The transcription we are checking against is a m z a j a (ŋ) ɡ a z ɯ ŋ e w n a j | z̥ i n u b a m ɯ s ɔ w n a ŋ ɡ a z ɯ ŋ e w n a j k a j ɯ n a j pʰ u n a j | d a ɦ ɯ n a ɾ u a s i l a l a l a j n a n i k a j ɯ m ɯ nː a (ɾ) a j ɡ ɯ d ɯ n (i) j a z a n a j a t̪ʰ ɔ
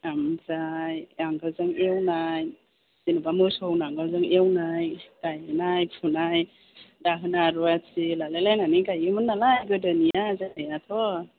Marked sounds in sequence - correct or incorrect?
correct, incorrect: l, correct

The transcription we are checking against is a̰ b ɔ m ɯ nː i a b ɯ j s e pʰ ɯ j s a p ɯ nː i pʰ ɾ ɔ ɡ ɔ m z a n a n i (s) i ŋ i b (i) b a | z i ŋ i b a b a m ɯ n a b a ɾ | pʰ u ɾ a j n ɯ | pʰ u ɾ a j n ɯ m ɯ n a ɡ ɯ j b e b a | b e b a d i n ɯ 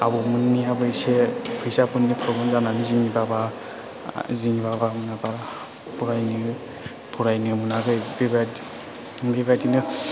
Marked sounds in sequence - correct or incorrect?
incorrect: z, incorrect: a

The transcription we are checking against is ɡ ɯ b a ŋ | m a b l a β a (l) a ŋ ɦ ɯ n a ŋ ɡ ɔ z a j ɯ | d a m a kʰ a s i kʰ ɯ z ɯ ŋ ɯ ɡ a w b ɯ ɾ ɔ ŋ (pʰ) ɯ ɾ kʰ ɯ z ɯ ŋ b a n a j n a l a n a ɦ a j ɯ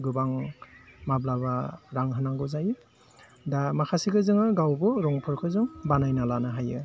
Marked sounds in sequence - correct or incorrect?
incorrect: ɾ, correct

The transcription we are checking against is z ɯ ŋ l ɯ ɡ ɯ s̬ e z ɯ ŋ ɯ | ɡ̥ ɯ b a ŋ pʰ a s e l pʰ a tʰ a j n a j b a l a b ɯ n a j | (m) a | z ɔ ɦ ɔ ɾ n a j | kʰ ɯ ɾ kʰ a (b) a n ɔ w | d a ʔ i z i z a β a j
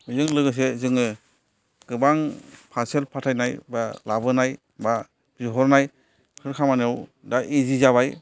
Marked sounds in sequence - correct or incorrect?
incorrect: b, incorrect: m

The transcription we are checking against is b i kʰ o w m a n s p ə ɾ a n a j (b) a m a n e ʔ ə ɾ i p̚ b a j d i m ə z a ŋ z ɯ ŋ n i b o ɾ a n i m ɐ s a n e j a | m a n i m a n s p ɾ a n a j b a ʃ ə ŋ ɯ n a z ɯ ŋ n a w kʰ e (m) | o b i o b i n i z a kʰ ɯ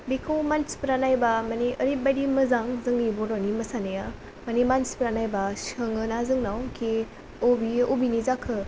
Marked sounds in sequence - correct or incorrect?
correct, incorrect: none

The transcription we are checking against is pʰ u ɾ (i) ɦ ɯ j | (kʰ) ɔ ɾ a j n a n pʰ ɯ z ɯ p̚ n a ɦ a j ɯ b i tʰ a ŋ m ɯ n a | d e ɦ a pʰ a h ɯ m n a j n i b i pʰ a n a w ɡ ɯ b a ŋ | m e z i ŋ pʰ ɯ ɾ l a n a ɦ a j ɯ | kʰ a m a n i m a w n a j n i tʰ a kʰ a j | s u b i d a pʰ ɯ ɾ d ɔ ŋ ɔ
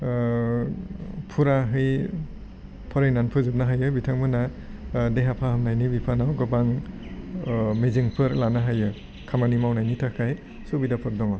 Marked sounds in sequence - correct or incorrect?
incorrect: a, incorrect: pʰ

